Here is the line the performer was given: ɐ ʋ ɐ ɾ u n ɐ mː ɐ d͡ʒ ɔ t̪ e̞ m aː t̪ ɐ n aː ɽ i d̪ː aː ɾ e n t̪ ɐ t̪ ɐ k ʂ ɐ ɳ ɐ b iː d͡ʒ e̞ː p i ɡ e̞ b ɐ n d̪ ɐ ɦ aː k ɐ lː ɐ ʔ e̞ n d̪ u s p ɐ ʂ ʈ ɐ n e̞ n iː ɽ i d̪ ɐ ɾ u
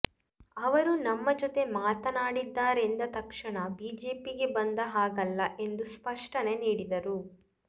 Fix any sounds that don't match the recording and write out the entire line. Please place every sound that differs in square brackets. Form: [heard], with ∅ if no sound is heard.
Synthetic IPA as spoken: ɐ ʋ ɐ ɾ u n ɐ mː ɐ d͡ʒ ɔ t̪ e̞ m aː t̪ ɐ n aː ɽ i d̪ː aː ɾ e n [d̪] ɐ t̪ ɐ k ʂ ɐ ɳ ɐ b iː d͡ʒ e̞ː p i ɡ e̞ b ɐ n d̪ ɐ ɦ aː [ɡ] ɐ lː ɐ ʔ e̞ n d̪ u s p ɐ ʂ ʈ ɐ n e̞ n iː ɽ i d̪ ɐ ɾ u